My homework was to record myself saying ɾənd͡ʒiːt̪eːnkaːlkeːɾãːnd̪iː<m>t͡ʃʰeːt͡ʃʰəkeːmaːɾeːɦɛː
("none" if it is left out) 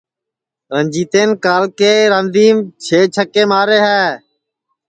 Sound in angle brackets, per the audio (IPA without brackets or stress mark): m